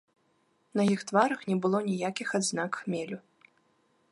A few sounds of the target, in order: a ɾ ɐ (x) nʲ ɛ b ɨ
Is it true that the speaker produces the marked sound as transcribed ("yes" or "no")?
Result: yes